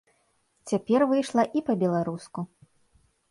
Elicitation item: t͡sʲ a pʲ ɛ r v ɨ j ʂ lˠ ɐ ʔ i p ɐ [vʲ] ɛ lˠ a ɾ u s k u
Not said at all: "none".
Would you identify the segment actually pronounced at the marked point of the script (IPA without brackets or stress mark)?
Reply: bʲ